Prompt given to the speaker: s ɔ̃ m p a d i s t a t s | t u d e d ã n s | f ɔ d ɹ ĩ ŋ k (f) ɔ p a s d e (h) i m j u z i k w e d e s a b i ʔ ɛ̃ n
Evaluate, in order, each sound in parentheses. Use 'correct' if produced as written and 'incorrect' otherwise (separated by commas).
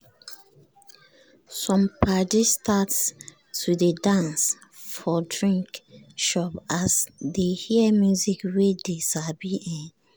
incorrect, correct